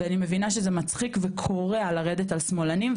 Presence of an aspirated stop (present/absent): present